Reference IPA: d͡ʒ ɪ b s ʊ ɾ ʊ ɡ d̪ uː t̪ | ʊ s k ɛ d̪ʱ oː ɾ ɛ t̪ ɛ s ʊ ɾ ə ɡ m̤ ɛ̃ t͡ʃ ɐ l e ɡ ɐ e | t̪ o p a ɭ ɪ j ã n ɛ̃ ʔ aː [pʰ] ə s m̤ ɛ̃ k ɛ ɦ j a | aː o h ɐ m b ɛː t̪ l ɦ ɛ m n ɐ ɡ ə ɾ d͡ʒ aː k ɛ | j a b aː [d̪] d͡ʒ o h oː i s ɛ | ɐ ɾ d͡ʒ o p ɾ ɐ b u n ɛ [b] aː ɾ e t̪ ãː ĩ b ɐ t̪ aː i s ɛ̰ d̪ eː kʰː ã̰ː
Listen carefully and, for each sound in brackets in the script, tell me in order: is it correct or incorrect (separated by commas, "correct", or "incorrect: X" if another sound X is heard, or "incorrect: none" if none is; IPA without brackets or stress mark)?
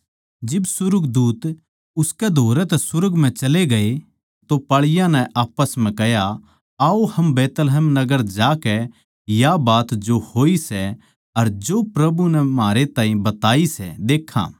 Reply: incorrect: p, incorrect: t̪, incorrect: m